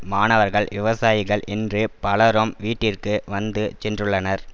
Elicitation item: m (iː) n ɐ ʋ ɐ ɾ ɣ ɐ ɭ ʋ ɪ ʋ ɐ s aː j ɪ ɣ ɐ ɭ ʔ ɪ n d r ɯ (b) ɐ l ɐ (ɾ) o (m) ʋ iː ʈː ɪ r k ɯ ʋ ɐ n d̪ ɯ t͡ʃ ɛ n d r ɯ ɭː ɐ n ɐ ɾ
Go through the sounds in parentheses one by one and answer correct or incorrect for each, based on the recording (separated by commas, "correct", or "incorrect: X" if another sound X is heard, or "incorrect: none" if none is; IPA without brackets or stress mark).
incorrect: aː, incorrect: p, correct, correct